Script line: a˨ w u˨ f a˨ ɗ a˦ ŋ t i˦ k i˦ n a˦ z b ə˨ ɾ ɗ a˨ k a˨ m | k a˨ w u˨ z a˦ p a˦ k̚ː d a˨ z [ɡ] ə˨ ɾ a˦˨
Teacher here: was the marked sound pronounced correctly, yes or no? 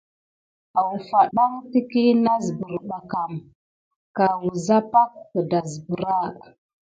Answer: no